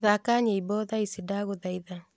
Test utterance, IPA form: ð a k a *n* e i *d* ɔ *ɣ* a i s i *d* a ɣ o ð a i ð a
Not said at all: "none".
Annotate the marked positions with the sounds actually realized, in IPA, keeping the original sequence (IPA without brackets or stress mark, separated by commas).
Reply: ɲ, b, ð, d